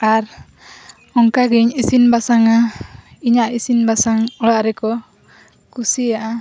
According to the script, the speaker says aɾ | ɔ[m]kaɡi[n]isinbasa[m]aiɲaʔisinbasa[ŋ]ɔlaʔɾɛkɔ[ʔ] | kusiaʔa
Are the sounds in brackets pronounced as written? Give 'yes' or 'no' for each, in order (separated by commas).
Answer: no, no, no, yes, no